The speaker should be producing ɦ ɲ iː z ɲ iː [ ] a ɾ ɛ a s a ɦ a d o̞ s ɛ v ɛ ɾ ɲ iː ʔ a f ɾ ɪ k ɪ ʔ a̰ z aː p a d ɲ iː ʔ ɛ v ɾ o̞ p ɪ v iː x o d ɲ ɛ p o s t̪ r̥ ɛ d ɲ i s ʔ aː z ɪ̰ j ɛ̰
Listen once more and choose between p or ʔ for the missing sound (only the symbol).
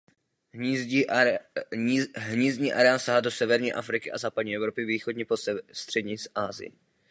ʔ